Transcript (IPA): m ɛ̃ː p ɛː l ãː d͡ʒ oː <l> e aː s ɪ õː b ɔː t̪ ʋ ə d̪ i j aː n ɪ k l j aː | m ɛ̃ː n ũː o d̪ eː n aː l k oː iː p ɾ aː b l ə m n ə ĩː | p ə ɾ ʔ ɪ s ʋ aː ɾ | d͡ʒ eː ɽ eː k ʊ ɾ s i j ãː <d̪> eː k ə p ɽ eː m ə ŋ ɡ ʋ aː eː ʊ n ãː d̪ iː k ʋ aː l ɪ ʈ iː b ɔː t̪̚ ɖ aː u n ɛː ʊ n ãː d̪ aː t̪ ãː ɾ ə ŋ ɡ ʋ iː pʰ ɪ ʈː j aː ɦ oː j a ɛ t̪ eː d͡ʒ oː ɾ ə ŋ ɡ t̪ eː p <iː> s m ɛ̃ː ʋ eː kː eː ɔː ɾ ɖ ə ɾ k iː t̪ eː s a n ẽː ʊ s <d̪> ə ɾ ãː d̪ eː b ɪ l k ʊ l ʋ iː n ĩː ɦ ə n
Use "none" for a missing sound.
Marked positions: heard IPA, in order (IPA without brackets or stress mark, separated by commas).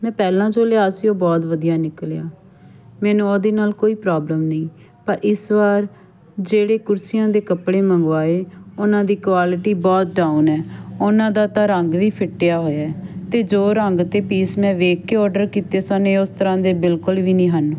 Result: l, d̪, iː, t̪